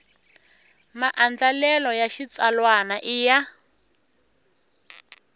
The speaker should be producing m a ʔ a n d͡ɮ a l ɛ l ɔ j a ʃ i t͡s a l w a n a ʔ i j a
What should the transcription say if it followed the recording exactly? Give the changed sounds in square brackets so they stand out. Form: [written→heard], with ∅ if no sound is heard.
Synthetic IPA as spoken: m a ʔ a n d͡ɮ a l ɛ l ɔ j a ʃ i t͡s a l w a n a ʔ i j a